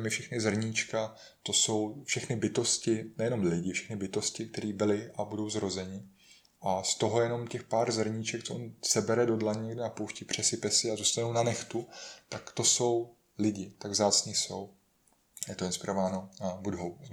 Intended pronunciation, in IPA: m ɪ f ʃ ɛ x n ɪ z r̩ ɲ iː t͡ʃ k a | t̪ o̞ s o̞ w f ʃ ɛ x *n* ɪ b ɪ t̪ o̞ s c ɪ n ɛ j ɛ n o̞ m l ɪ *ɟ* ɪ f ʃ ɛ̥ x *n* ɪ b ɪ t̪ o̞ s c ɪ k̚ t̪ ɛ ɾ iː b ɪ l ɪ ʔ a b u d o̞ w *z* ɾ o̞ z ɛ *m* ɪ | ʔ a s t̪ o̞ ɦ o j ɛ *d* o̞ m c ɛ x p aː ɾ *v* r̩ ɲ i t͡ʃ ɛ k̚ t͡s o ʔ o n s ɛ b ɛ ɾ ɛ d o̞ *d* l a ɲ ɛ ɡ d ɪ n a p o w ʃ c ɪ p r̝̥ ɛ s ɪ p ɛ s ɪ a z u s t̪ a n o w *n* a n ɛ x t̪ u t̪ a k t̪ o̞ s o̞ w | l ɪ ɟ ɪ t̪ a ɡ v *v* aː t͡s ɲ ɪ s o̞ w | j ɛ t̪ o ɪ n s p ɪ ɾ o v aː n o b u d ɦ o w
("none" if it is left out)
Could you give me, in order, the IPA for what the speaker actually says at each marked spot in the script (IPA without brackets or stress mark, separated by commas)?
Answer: n, ɟ, n, z, ɲ, n, z, d, n, z